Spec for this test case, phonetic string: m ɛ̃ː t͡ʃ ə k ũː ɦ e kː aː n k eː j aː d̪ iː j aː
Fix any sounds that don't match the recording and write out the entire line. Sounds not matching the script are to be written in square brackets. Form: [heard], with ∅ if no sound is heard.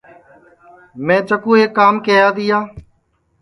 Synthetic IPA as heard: m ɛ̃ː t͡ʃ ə k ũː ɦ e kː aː [m] k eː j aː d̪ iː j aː